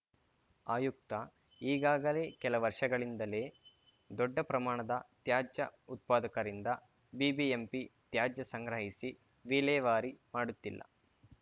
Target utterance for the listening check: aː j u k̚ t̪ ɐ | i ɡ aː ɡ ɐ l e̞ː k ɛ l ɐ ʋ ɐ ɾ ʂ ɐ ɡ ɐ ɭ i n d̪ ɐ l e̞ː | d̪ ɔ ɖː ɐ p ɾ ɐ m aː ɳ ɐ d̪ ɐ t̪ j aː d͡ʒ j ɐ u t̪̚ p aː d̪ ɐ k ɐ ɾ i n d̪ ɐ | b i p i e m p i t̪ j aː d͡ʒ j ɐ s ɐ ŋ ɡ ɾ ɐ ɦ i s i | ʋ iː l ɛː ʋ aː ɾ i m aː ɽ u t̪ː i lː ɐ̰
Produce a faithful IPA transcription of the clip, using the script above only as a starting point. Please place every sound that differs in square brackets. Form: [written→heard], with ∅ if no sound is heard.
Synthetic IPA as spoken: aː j u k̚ t̪ ɐ | [i→iː] ɡ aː ɡ ɐ l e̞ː k ɛ l ɐ ʋ ɐ ɾ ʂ ɐ ɡ ɐ ɭ i n d̪ ɐ l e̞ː | d̪ ɔ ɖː ɐ p ɾ ɐ m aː ɳ ɐ d̪ ɐ t̪ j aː d͡ʒ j ɐ u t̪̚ p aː d̪ ɐ k ɐ ɾ i n d̪ ɐ | b i [p→b] i e m p i t̪ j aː d͡ʒ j ɐ s ɐ ŋ ɡ ɾ ɐ ɦ i s i | ʋ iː l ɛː ʋ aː ɾ i m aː ɽ u t̪ː i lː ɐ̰